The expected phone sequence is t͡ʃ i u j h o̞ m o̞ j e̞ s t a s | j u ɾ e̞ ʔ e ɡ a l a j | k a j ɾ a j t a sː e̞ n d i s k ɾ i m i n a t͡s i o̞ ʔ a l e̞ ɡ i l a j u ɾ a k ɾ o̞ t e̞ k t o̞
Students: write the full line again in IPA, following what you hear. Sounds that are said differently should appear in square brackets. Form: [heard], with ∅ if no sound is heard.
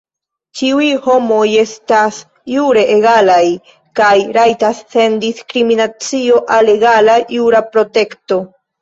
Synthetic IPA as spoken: t͡ʃ i u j h o̞ m o̞ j e̞ s t a s | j u ɾ e̞ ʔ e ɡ a l a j | k a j ɾ a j t a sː e̞ n d i s k ɾ i m i n a t͡s i o̞ ʔ a l e̞ ɡ [a] l a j u ɾ a [p] ɾ o̞ t e̞ k t o̞